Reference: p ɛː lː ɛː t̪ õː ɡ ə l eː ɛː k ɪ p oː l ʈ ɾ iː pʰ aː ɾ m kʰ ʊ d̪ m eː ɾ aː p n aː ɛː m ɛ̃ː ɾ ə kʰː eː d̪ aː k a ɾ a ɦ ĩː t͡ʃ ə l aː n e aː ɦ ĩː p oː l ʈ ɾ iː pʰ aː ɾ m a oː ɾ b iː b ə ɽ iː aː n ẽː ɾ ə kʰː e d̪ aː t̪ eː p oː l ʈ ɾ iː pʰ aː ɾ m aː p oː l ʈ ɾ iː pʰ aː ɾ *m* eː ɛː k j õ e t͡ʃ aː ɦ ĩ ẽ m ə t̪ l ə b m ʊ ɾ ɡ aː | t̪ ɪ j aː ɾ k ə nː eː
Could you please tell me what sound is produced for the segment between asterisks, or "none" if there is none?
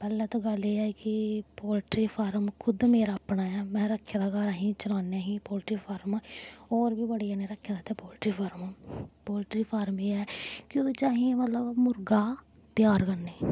m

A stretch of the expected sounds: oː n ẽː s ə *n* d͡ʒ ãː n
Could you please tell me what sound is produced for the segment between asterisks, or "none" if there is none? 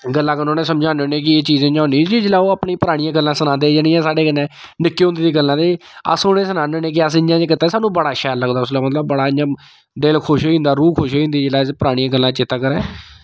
m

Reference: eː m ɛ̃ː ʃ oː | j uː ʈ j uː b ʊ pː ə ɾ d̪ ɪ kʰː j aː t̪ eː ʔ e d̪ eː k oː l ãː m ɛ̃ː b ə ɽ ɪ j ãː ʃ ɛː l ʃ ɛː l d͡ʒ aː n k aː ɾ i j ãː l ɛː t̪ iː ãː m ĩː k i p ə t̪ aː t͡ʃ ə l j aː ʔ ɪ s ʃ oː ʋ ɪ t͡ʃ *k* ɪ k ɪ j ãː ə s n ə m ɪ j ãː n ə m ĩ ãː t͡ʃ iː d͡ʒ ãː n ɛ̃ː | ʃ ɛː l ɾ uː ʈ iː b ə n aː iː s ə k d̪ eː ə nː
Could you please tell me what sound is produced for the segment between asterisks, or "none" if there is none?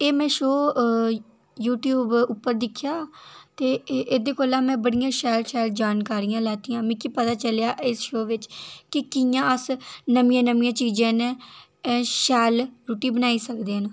k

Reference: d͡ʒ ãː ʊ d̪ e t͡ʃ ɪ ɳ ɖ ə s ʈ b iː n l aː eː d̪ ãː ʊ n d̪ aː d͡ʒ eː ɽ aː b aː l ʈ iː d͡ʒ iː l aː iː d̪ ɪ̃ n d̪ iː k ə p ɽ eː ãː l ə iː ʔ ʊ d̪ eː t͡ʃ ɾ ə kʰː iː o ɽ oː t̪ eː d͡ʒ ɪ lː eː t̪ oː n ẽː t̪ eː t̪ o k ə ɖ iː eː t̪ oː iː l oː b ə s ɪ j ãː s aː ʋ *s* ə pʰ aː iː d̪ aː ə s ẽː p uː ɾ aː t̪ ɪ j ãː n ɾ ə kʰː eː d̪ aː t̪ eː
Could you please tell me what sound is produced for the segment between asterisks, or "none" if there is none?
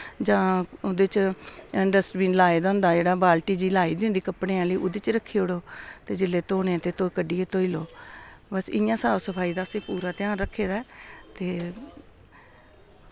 s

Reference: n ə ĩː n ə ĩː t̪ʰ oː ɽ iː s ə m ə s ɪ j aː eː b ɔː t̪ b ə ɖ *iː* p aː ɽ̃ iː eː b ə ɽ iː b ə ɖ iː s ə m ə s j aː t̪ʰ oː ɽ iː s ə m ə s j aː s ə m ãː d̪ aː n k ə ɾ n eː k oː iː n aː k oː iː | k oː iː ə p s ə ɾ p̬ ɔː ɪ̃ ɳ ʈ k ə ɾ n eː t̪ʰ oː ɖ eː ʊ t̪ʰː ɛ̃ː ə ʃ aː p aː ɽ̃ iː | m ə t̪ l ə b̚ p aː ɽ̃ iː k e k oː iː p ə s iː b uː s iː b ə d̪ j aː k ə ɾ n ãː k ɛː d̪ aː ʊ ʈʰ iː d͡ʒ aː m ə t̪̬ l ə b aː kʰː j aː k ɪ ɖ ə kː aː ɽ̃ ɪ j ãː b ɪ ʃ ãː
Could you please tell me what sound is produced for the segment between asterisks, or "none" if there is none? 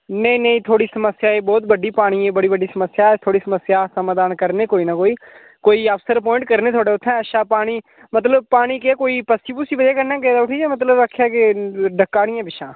iː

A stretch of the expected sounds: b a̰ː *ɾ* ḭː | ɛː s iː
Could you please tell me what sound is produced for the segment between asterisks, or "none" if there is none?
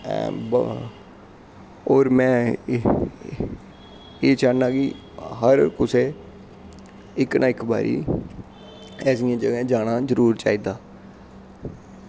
ɾ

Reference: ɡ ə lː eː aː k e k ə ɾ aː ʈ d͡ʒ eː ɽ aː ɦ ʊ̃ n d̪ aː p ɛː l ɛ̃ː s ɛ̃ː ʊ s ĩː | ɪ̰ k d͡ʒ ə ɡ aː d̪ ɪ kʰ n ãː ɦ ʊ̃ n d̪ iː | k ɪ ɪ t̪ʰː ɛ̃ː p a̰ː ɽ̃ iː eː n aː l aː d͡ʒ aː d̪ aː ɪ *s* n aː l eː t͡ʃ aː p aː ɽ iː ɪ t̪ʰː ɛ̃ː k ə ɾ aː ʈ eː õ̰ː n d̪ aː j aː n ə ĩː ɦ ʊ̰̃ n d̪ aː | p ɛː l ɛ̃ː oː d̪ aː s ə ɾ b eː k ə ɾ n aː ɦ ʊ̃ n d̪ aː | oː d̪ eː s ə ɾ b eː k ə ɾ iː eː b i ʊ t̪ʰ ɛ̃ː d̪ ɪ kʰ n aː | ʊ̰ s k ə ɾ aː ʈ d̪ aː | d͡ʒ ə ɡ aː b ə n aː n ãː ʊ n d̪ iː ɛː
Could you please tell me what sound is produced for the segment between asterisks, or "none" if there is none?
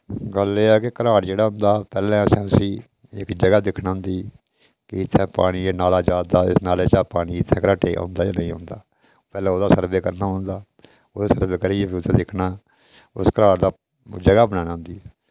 s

